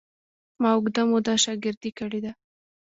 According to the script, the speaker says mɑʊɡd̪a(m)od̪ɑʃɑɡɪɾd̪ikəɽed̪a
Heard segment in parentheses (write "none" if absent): m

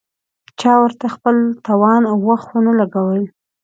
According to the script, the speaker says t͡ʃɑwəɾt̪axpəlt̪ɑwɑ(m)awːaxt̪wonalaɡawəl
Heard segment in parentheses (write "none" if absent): n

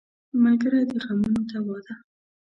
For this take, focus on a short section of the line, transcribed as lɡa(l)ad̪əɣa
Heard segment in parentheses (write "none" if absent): ɾ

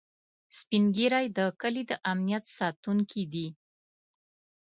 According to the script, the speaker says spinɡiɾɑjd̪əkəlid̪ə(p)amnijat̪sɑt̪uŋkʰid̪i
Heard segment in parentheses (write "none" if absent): ʔ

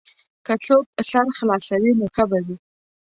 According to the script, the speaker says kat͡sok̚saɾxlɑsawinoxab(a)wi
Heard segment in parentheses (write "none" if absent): a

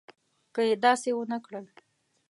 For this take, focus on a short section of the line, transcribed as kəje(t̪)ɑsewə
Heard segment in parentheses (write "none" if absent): d̪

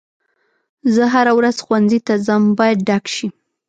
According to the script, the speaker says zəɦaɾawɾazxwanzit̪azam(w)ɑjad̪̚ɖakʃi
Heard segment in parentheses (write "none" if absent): b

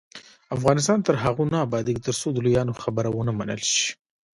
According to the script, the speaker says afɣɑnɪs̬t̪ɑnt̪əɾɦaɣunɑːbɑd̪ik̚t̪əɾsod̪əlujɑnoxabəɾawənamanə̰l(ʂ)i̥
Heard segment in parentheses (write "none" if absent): ʃ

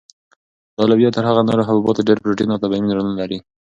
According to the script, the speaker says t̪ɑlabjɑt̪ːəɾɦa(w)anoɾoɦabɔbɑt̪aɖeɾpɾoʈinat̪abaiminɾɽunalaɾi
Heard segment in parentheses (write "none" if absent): ɣ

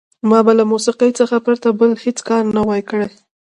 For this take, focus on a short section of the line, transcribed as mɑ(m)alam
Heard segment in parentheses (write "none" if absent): b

